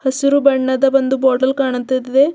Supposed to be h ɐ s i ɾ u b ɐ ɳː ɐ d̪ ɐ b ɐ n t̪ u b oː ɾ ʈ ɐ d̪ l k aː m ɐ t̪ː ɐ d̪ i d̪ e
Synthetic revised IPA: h ɐ s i ɾ u b ɐ ɳː ɐ d̪ ɐ b ɐ n d̪ u b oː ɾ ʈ ɐ l k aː ɳ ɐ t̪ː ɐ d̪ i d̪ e